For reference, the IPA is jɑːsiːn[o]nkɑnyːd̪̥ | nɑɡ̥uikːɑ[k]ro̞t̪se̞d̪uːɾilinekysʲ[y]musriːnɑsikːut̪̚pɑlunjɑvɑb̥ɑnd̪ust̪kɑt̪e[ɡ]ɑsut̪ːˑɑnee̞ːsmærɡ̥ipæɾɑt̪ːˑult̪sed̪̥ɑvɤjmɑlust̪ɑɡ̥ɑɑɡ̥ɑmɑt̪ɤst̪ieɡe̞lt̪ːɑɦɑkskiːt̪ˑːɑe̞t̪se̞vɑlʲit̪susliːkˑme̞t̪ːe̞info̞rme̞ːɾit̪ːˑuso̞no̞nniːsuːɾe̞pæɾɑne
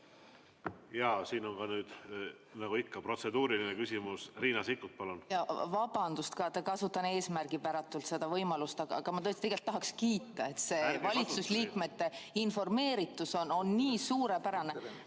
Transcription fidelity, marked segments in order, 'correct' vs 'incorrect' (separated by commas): correct, incorrect, incorrect, incorrect